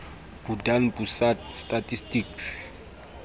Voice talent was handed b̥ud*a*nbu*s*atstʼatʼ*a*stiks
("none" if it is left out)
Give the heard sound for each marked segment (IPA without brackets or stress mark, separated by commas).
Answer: a, s, i